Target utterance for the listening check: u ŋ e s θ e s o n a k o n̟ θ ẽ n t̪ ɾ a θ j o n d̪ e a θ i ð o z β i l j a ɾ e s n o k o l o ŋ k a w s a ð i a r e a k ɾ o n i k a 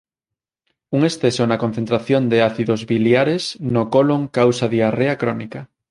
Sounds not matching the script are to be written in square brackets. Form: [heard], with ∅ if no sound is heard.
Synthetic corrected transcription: u ŋ e s θ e s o n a k o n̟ θ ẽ n t̪ ɾ a θ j o n d̪ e a θ i ð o z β i l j a ɾ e s n o k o l o ŋ k a w s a ð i a r e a k ɾ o n i k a